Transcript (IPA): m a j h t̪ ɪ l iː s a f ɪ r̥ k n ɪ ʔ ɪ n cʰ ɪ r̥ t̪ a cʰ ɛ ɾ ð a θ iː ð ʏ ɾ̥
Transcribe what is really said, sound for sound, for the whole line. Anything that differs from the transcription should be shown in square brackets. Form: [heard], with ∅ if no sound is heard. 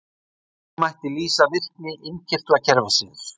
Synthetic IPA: m a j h t̪ ɪ l iː s a [v] ɪ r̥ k n ɪ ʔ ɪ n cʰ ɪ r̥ t̪ a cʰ ɛ ɾ [v] a [s] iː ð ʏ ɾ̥